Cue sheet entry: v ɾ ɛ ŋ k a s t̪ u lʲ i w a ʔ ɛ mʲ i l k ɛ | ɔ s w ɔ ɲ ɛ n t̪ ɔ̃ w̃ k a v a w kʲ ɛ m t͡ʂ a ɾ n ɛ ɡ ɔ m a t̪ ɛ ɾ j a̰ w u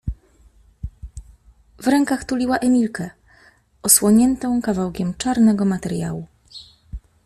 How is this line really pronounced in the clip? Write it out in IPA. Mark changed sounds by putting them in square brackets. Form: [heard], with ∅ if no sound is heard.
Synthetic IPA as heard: v ɾ ɛ ŋ k a [x] t̪ u lʲ i w a ʔ ɛ mʲ i l k ɛ | ɔ s w ɔ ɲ ɛ n t̪ ɔ̃ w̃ k a v a w kʲ ɛ m t͡ʂ a ɾ n ɛ ɡ ɔ m a t̪ ɛ ɾ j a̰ w u